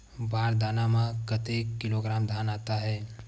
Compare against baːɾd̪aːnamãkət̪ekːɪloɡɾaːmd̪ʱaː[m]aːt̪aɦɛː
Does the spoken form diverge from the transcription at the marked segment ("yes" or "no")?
yes